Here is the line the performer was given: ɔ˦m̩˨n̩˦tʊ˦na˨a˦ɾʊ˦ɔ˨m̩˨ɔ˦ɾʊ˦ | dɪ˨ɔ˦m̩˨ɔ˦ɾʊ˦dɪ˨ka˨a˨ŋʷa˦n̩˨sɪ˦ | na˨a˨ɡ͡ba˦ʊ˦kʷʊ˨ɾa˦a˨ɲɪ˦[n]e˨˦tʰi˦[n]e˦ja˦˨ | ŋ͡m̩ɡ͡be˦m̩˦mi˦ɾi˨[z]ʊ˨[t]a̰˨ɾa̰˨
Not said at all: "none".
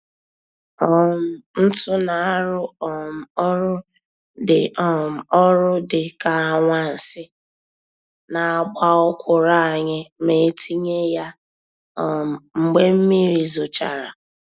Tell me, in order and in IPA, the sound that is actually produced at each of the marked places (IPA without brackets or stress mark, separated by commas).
m, ɲ, z, t͡ʃ